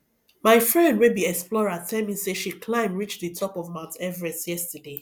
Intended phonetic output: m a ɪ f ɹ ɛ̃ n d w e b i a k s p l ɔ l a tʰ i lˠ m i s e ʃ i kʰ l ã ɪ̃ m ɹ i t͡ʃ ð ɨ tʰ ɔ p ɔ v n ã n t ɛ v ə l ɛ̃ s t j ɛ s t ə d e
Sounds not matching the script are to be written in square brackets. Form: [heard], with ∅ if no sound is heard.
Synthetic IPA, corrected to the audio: m a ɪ f ɹ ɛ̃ n d w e b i [ɛ] k s p l ɔ [ɹ] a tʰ [ɛ] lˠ m i s e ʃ i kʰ l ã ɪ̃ m ɹ i t͡ʃ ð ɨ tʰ ɔ p ɔ v [m] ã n t ɛ v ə [ɹ] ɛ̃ s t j ɛ s t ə d e